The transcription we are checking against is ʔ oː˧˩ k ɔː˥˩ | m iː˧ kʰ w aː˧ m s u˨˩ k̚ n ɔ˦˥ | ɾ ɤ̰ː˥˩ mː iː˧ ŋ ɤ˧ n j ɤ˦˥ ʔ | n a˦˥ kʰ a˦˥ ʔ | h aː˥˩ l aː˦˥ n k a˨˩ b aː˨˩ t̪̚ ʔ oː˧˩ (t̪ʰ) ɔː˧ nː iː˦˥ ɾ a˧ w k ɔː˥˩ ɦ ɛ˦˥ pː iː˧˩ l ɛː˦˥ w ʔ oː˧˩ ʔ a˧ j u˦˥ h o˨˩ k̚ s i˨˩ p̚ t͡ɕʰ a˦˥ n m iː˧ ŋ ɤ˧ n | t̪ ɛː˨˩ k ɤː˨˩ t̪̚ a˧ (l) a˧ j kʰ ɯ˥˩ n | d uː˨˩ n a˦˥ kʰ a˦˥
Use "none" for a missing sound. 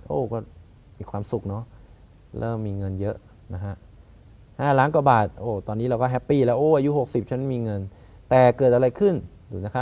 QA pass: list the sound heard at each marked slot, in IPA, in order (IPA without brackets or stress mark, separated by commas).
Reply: t̪, ɾ